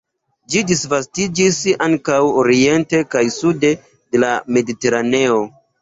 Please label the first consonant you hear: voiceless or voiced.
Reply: voiced